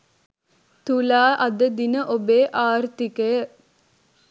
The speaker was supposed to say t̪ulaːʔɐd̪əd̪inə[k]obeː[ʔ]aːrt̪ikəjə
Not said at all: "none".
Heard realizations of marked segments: ʔ, ʔ

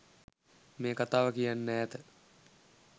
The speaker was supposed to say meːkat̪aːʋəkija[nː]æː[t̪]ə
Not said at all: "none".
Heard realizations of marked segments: nː, t̪

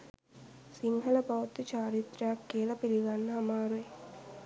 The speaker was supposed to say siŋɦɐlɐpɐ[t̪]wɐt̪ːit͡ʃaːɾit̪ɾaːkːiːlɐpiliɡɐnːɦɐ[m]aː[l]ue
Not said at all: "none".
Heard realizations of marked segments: none, m, ɾ

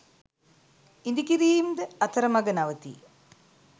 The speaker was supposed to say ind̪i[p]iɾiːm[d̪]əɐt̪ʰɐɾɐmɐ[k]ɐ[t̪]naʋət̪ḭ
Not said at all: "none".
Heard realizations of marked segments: k, d̪, ɡ, none

